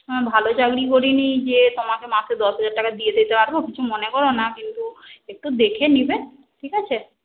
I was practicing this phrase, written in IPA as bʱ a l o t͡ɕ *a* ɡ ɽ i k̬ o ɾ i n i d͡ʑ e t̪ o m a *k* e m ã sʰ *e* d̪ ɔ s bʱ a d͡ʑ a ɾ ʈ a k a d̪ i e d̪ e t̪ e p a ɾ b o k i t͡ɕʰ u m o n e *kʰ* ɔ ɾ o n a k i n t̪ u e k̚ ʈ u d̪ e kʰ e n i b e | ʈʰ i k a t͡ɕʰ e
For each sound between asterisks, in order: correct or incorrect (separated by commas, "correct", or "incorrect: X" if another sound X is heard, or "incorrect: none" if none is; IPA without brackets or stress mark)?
correct, correct, correct, incorrect: k